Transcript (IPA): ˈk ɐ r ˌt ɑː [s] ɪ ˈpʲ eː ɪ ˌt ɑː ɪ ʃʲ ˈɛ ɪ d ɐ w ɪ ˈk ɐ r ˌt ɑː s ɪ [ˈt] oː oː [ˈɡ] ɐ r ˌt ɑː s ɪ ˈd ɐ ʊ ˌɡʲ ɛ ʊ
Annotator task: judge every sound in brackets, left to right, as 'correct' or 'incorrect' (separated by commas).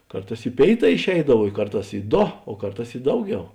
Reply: correct, incorrect, incorrect